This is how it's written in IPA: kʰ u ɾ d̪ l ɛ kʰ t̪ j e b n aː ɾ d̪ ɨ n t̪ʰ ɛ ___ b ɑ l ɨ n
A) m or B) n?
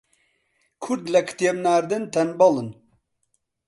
B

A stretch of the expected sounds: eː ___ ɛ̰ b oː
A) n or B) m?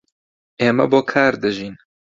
B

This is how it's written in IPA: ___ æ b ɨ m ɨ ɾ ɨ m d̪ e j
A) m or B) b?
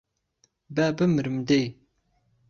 B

